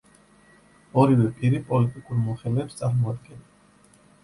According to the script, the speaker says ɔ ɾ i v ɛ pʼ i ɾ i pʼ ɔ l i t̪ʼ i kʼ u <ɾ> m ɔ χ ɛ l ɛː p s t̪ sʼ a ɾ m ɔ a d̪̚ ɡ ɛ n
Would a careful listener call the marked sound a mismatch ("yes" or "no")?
no